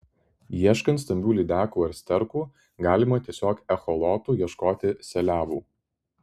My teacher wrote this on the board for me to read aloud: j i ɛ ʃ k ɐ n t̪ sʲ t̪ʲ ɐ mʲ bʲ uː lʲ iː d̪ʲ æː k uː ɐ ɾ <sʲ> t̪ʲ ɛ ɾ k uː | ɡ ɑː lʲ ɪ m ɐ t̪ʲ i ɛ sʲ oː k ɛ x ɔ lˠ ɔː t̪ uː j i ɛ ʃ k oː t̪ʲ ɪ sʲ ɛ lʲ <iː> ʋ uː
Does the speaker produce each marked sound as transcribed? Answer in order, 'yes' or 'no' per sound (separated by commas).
yes, no